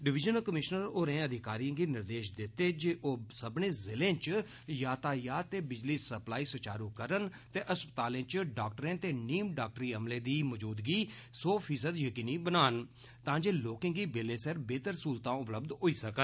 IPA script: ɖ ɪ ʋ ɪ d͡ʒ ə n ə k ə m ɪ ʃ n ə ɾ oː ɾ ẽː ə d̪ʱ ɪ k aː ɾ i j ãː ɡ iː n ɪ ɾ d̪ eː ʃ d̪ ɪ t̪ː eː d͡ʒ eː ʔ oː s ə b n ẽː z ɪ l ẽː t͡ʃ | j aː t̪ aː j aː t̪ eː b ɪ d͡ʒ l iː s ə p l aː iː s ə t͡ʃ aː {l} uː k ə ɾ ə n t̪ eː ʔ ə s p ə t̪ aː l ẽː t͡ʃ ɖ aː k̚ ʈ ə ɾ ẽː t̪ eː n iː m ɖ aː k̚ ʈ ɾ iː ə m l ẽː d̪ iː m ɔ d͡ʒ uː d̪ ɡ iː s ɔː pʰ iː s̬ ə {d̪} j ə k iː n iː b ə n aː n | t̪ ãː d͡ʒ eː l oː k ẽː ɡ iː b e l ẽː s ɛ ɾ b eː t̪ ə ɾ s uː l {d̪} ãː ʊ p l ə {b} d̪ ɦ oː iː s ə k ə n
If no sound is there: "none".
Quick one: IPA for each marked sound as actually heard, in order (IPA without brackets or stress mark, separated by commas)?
ɾ, d̪, t̪, b